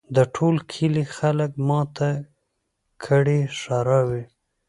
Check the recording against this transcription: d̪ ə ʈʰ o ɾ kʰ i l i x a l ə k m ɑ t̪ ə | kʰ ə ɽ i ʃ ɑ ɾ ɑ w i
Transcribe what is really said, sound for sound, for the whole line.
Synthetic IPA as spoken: d̪ ə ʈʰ o l kʰ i l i x a l ə k m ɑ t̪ a | kʰ ə ɽ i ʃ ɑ ɾ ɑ w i